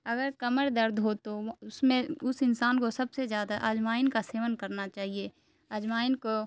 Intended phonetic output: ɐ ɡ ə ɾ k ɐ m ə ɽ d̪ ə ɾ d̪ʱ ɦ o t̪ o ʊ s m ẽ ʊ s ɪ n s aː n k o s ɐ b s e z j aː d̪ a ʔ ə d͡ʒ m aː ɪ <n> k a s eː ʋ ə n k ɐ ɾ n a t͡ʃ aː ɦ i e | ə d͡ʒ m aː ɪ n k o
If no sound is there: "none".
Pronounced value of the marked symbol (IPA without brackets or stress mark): n